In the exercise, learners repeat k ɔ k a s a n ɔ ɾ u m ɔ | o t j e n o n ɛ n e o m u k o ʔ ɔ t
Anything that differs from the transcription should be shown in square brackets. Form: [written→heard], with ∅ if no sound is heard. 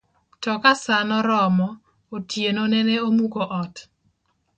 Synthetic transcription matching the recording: [k→t] ɔ k a s a n ɔ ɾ [u→ɔ] m ɔ | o t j e n o n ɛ n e o m u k o ʔ ɔ t

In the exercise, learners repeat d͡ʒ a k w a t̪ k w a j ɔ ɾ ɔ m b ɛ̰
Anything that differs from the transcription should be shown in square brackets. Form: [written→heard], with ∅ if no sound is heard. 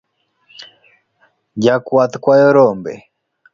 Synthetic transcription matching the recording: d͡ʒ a k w a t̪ k w a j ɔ ɾ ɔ m b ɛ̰

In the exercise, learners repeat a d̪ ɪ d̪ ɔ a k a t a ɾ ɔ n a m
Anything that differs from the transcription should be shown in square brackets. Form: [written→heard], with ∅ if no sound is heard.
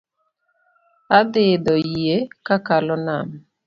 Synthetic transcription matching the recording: a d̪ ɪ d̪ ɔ [a→e] k a [t→k] a [ɾ→l] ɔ n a m

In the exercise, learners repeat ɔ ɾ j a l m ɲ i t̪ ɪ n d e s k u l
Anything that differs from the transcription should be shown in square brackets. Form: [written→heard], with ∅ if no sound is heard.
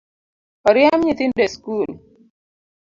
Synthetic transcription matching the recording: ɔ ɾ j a [l→∅] m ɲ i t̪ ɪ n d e s k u l

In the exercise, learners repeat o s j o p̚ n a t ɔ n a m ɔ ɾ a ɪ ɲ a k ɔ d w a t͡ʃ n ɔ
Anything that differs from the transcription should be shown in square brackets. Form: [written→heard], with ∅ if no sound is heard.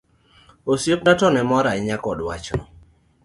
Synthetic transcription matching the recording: o s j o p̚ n a t ɔ n [a→ɛ] m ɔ ɾ a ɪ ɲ a k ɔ d w a t͡ʃ n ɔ

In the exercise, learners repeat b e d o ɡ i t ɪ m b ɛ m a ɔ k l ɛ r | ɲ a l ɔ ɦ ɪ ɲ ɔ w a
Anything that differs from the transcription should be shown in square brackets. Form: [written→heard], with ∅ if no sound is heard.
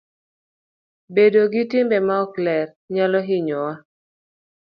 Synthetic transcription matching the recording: b e d o ɡ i t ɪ m b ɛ m a ɔ k l ɛ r | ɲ a l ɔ ɦ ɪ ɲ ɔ w a

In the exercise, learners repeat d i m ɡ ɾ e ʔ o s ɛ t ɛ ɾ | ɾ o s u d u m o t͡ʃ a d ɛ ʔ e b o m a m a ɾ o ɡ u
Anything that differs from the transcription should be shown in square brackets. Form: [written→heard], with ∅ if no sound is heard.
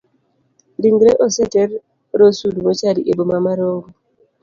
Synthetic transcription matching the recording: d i [m→ŋ] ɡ ɾ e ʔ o s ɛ t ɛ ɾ | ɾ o s u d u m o t͡ʃ a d [ɛ→i] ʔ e b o m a m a ɾ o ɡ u

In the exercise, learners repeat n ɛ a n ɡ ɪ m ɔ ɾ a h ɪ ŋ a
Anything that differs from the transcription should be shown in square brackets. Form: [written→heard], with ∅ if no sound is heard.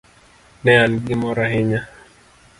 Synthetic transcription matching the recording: n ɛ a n ɡ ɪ m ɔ ɾ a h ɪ [ŋ→ɲ] a

